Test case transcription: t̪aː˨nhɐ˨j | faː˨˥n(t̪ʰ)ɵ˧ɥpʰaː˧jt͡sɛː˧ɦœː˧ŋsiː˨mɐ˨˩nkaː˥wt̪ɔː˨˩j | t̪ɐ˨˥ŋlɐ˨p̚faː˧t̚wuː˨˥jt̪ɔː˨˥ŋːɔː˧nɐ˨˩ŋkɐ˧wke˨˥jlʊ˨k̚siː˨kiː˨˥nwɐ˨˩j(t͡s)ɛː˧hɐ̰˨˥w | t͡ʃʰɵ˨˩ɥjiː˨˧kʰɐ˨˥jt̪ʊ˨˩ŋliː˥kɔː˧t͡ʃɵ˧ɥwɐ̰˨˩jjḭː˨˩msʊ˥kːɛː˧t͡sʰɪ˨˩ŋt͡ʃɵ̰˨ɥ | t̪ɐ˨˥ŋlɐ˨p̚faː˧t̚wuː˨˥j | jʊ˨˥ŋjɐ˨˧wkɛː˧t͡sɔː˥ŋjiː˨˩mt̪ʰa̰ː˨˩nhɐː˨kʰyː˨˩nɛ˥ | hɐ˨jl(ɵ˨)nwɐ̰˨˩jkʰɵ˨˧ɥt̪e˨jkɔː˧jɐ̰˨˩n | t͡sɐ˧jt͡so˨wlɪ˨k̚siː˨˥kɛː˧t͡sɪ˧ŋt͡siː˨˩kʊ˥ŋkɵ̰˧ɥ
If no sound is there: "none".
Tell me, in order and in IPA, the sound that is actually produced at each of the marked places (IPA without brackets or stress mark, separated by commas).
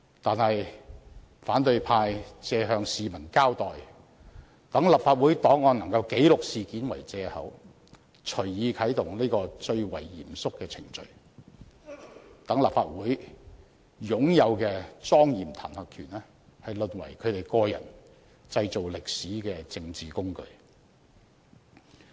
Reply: t̪, t͡s, ɵ˨